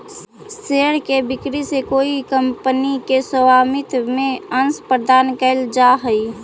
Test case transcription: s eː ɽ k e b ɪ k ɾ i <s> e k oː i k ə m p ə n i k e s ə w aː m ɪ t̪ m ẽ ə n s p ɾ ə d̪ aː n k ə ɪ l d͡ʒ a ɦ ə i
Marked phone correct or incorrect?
correct